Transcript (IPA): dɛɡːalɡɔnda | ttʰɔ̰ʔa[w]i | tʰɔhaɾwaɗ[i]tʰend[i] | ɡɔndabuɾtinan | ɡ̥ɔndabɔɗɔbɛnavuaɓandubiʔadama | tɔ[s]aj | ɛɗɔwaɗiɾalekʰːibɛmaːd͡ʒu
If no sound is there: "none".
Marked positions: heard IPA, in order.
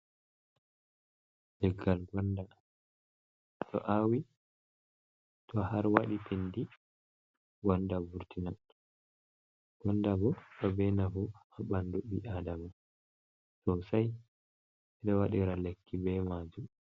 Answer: w, i, i, s

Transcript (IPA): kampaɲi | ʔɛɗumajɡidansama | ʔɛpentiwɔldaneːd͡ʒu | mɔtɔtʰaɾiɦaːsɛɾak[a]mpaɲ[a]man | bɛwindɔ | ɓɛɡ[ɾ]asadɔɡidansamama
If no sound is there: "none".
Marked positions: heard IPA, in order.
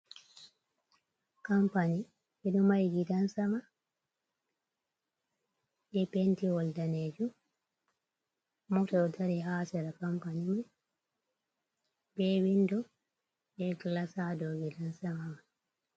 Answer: a, i, l

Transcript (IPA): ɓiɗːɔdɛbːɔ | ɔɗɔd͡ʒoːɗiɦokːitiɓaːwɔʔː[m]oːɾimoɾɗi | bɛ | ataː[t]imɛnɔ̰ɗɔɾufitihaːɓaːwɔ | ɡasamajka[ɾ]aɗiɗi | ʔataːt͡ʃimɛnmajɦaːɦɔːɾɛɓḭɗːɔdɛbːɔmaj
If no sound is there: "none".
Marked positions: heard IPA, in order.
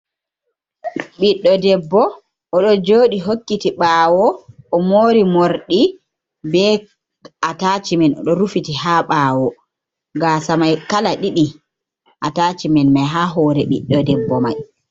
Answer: m, t͡ʃ, l

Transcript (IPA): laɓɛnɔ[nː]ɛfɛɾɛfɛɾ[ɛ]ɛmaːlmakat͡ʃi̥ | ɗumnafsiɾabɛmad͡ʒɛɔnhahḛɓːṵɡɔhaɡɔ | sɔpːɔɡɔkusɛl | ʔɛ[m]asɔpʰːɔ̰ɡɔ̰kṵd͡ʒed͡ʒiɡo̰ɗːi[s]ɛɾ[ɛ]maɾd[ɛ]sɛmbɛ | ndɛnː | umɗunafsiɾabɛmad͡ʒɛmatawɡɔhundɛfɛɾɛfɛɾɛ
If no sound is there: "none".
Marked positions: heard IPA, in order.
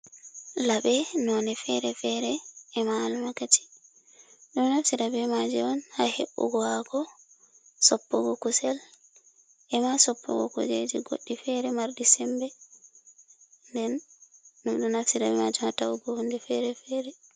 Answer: n, ɛ, m, f, ɛ, i

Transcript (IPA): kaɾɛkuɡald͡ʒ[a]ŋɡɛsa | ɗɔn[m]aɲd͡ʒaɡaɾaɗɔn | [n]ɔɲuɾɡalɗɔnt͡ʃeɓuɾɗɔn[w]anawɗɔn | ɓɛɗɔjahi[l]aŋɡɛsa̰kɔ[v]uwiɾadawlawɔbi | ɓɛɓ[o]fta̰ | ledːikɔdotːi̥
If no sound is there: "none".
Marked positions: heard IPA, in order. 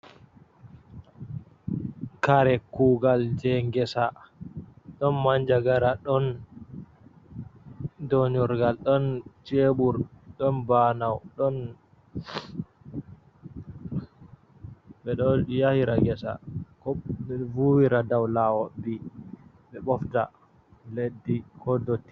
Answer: ɛ, m, d, b, ɾ, v, ɔ

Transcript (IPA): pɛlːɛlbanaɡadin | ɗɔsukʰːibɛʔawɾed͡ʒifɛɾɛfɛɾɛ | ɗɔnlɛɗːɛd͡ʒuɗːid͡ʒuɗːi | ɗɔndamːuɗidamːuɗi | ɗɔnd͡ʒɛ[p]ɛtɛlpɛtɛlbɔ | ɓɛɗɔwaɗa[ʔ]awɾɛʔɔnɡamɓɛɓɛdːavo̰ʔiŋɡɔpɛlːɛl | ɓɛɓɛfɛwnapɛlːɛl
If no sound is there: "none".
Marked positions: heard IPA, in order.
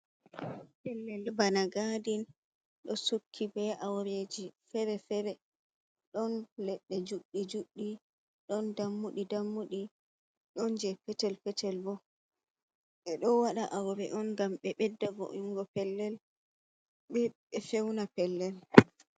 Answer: p, ʔ

